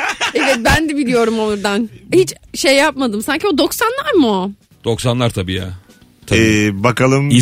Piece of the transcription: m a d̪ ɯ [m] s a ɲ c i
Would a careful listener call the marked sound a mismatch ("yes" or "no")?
no